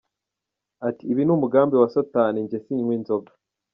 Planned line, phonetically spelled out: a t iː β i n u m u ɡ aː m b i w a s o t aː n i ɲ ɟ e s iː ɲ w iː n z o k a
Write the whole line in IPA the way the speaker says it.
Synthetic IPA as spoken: a t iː β i n u m u ɡ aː m b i w a s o t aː n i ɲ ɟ e s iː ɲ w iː n z o ɡ a